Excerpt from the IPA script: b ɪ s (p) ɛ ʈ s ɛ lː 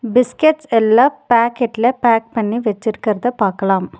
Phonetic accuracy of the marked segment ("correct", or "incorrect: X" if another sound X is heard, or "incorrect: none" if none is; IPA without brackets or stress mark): incorrect: k